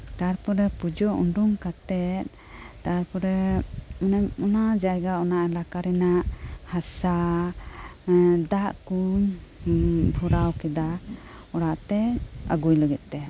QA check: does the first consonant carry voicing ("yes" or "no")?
no